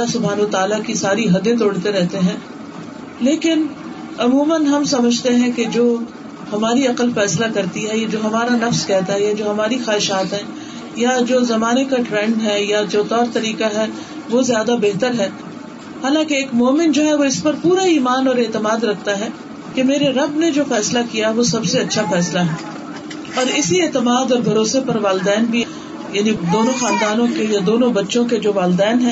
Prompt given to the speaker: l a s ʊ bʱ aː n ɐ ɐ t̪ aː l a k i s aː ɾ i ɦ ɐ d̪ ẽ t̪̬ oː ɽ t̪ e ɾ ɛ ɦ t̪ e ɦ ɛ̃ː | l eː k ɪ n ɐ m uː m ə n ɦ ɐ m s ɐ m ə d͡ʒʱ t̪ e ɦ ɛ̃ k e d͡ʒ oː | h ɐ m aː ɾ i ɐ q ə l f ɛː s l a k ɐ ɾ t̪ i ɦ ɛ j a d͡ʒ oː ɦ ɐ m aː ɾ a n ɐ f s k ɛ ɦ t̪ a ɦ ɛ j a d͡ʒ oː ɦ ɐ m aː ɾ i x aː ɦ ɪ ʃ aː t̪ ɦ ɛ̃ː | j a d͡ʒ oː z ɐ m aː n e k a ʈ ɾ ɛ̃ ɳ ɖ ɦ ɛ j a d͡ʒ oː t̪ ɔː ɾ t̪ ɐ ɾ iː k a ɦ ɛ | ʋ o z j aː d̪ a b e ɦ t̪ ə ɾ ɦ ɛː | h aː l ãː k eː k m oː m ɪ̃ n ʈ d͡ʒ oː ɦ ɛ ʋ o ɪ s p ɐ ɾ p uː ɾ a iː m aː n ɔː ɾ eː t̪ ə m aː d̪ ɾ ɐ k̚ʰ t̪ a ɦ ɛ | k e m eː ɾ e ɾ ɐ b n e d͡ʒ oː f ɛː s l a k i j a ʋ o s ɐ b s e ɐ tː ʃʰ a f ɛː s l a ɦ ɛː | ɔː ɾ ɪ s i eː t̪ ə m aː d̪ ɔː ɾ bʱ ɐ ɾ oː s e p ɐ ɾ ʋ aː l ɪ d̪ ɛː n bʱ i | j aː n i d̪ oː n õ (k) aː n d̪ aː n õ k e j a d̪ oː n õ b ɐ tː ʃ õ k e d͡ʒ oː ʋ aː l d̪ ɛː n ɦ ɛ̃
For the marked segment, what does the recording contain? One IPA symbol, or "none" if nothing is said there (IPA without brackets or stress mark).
x